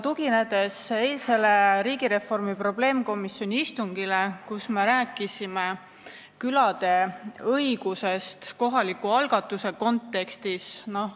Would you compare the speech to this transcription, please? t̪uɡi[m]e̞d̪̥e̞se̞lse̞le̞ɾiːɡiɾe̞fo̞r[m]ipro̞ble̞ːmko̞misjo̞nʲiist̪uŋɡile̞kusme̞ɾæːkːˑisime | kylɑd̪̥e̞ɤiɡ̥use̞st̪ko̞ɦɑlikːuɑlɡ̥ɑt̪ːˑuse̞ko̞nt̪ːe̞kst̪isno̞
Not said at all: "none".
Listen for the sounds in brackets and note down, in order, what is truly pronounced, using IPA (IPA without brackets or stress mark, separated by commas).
n, m